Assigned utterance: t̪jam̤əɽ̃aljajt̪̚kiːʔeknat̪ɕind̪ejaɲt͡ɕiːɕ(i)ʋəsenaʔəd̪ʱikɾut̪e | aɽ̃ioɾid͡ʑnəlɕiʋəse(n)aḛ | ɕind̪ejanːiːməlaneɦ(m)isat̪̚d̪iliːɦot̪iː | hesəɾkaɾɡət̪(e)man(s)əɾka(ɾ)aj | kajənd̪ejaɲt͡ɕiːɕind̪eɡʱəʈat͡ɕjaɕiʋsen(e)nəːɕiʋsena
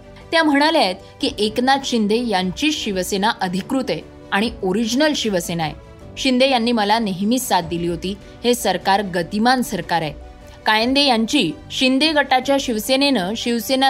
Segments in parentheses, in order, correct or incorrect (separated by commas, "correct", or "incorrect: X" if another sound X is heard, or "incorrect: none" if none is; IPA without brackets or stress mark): correct, correct, correct, incorrect: i, correct, correct, correct